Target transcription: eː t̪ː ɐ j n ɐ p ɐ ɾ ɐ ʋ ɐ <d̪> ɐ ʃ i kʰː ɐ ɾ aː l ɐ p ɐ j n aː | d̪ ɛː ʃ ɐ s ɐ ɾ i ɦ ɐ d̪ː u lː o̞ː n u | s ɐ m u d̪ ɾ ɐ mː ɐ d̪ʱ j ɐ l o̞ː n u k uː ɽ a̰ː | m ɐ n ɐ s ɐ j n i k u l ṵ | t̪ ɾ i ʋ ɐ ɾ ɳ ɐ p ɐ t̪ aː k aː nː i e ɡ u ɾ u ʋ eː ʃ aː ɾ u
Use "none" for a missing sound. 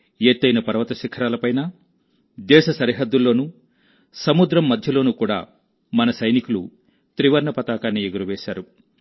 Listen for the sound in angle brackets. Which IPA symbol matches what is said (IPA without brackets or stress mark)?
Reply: t̪